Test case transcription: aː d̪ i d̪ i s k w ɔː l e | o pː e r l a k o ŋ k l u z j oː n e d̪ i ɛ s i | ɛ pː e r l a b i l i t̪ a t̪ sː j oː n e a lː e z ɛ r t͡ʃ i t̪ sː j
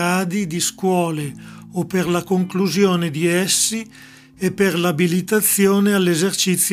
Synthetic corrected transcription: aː d̪ i d̪ i s k w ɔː l e | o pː e r l a k o ŋ k l u z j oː n e d̪ i ɛ sː i | e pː e r l a b i l i t̪ a t̪ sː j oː n e a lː e z e r t͡ʃ i t̪ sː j